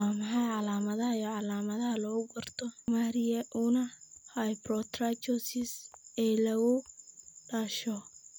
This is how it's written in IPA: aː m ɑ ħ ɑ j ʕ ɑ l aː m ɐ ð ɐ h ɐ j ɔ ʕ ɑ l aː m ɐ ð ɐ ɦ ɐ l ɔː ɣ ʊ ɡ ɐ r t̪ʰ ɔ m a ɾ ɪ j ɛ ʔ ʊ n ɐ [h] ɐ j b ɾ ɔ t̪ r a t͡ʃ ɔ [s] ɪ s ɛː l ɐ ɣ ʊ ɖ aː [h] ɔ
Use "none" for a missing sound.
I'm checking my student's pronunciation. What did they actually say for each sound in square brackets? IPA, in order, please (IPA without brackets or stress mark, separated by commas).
h, s, ʃ